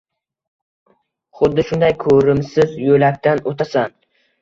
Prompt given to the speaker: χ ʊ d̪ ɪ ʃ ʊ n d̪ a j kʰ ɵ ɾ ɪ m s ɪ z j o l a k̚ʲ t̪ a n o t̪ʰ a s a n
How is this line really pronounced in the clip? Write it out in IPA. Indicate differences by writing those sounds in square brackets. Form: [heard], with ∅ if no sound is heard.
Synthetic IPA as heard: χ ʊ [d̪ː] ɪ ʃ ʊ n d̪ a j kʰ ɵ ɾ ɪ m s ɪ z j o l a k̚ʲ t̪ a n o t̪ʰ a s a n

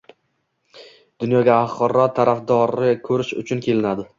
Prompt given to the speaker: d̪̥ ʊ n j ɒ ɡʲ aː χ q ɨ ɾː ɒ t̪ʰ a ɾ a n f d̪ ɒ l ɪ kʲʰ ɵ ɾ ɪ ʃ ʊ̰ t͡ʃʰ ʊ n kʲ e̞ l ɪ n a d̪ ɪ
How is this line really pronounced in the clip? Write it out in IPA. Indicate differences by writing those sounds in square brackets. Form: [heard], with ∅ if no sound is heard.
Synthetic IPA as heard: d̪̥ ʊ n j ɒ ɡʲ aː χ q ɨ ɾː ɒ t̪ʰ a ɾ a [∅] f d̪ ɒ [ɾ] ɪ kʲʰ ɵ ɾ ɪ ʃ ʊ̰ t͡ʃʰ ʊ n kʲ e̞ l ɪ n a d̪ ɪ

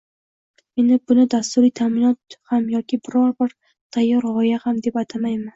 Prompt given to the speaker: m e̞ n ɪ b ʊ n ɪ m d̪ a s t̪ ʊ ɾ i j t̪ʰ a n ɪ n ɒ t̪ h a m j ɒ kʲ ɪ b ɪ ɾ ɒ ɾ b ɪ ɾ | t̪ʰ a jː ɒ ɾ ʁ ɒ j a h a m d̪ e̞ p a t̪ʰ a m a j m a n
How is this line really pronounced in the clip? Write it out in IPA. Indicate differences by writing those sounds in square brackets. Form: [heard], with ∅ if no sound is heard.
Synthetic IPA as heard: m e̞ n ɪ b ʊ n ɪ [∅] d̪ a s t̪ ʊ ɾ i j t̪ʰ a [m] ɪ n ɒ t̪ h a m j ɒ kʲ ɪ b ɪ ɾ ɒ ɾ b ɪ ɾ | t̪ʰ a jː ɒ ɾ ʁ ɒ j a h a m d̪ e̞ p a t̪ʰ a m a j m a n

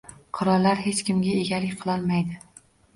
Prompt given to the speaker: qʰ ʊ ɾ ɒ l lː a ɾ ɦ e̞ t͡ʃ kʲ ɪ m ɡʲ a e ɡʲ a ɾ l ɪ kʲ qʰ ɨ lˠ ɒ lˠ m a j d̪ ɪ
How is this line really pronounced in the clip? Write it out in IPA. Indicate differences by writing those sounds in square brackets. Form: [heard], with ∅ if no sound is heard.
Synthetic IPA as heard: qʰ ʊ ɾ ɒ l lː a ɾ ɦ e̞ t͡ʃ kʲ ɪ m ɡʲ a e ɡʲ a [∅] l ɪ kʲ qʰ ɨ lˠ ɒ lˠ m a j d̪ ɪ

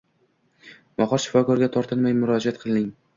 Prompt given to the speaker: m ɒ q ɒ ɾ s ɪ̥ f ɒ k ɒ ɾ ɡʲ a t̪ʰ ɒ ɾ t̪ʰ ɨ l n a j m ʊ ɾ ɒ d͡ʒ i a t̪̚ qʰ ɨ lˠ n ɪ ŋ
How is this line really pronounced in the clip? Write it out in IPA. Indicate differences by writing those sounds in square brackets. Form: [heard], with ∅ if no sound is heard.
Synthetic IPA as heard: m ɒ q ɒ ɾ [ʃ] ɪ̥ f ɒ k ɒ ɾ ɡʲ a t̪ʰ ɒ ɾ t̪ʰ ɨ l [m] a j m ʊ ɾ ɒ d͡ʒ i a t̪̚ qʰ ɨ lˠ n ɪ ŋ

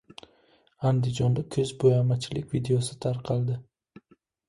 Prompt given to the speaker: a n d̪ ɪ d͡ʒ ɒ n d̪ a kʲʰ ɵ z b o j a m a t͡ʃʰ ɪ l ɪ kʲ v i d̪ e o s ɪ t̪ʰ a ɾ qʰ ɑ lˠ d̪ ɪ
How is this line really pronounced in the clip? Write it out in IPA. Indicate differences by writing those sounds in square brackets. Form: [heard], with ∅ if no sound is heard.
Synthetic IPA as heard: a n d̪ ɪ d͡ʒ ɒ n d̪ a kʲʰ ɵ z b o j a m a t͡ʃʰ ɪ l ɪ kʲ v i d̪ e o s ɪ t̪ʰ a ɾ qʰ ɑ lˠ d̪ ɪ

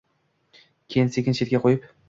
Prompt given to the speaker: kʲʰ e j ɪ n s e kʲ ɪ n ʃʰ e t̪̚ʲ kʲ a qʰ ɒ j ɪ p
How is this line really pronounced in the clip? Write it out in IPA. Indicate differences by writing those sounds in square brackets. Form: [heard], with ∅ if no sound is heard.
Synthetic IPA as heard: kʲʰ e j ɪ n s e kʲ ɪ n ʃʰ e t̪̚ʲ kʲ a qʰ [o] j ɪ p

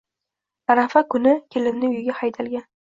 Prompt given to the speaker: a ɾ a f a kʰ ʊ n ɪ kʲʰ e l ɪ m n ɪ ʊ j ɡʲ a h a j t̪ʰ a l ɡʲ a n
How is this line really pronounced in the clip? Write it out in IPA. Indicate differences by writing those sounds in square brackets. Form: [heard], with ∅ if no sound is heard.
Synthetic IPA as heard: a ɾ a f a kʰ ʊ n ɪ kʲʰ e l ɪ m n ɪ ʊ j ɡʲ a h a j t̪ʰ a l ɡʲ a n

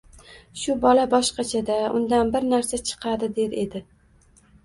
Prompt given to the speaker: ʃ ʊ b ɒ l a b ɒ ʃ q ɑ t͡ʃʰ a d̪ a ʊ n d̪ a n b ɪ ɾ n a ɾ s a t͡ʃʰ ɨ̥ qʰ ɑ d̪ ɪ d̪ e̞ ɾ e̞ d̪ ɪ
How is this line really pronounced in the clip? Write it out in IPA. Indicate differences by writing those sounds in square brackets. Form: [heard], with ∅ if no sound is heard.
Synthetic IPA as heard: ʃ ʊ b ɒ l a b ɒ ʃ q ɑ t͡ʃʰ a d̪ a ʊ n d̪ a n b ɪ ɾ n a ɾ s a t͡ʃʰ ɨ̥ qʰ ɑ d̪ ɪ d̪ e̞ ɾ e̞ d̪ ɪ

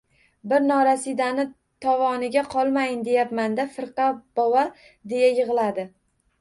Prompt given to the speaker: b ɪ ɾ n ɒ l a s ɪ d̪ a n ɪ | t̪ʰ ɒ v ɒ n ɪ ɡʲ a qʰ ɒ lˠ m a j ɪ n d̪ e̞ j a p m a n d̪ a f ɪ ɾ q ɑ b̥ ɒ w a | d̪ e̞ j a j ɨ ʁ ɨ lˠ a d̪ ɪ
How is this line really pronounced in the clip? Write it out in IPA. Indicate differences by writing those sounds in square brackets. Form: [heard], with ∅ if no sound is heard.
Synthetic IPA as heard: b ɪ ɾ n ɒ [ɾ] a s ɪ d̪ a n ɪ | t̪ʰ ɒ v ɒ n ɪ ɡʲ a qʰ ɒ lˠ m a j ɪ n d̪ e̞ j a p m a n d̪ a f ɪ ɾ q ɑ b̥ ɒ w a | d̪ e̞ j a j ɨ ʁ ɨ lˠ a d̪ ɪ

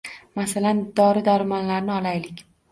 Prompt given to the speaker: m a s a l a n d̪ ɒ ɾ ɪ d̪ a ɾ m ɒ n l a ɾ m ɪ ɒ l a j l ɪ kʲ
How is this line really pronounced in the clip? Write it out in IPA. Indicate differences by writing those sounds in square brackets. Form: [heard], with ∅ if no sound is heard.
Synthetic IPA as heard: m a s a l a n d̪ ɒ ɾ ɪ d̪ a ɾ m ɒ n l a ɾ [n] ɪ ɒ l a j l ɪ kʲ

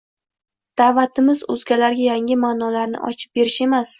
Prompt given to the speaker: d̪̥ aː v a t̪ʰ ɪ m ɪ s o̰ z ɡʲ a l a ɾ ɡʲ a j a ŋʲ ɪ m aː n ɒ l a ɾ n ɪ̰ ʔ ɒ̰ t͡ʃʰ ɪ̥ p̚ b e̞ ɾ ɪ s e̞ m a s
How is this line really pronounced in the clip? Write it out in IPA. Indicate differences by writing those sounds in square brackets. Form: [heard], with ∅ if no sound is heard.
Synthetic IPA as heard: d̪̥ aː v a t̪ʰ ɪ m ɪ [z] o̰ z ɡʲ a l a ɾ ɡʲ a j a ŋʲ ɪ m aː n ɒ l a ɾ n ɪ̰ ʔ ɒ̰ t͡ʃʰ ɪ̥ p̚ b e̞ ɾ ɪ [ʃ] e̞ m a s

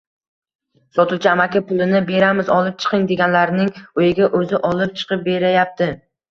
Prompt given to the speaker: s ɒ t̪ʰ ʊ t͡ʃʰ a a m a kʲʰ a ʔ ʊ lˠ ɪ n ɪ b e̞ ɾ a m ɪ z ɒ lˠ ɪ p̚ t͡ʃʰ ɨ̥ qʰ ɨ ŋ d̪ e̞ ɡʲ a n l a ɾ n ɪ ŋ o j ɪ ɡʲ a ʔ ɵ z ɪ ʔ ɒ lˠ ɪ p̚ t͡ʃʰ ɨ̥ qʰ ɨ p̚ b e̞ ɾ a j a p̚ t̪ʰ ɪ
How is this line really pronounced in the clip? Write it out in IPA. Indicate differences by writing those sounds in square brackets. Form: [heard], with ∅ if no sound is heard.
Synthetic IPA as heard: s ɒ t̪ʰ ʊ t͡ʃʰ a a m a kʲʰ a [p] ʊ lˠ ɪ n ɪ b e̞ ɾ a m ɪ z ɒ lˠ ɪ p̚ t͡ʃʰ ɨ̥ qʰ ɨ ŋ d̪ e̞ ɡʲ a n l a ɾ n ɪ ŋ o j ɪ ɡʲ a ʔ ɵ z ɪ ʔ ɒ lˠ ɪ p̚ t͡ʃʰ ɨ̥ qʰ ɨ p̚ b e̞ ɾ a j a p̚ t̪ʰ ɪ

